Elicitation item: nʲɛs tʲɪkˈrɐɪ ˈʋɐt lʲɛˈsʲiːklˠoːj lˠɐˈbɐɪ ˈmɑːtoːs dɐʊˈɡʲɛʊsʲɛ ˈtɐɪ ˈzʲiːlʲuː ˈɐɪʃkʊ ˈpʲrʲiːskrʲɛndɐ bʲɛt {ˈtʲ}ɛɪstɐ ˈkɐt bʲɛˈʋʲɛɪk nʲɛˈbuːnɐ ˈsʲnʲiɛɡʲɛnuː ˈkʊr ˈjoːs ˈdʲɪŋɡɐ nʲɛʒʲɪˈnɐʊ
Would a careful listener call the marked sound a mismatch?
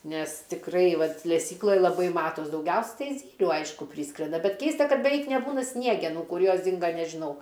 yes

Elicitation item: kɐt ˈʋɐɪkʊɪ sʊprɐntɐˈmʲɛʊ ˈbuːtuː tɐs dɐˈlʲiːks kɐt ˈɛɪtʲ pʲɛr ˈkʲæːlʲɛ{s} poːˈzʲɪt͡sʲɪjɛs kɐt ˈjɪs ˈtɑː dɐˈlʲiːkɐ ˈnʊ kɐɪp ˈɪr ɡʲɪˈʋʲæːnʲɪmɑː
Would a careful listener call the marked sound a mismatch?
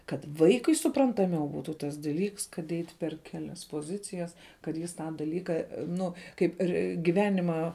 no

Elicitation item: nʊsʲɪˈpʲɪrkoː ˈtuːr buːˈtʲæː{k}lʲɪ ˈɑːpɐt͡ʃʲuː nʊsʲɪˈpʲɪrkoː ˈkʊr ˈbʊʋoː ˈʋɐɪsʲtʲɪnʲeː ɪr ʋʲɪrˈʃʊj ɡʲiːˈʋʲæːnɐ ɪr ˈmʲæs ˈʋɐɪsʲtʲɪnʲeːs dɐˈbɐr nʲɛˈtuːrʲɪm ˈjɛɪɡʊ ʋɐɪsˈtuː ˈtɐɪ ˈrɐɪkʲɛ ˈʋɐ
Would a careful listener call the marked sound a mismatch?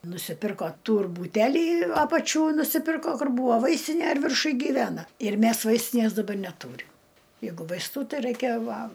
yes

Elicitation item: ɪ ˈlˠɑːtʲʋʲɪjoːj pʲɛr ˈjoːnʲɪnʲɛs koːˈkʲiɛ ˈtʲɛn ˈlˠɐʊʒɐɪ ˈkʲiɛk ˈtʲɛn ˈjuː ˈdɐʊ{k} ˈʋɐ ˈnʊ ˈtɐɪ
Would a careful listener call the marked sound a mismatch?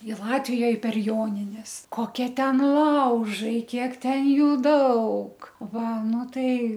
no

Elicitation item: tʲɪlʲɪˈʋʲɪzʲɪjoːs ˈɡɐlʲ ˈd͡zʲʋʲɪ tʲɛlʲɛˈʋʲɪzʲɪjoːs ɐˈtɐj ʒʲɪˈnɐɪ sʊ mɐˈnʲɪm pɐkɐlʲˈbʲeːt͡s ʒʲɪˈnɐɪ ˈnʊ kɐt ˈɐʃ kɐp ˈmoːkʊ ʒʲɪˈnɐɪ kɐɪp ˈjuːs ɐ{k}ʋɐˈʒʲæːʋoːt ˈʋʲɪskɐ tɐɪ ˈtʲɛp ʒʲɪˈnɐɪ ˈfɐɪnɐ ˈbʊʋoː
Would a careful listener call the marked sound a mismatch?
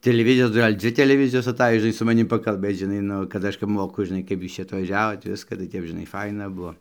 yes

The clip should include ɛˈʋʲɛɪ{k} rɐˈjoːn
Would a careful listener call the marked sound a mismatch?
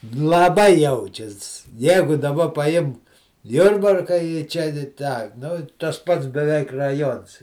no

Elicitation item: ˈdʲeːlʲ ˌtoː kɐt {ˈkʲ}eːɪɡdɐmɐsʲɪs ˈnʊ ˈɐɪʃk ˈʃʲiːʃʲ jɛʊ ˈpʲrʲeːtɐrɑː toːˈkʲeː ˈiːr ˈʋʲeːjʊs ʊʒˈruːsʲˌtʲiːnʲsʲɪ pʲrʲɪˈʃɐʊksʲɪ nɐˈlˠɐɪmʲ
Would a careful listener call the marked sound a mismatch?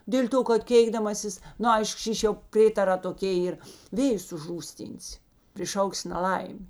no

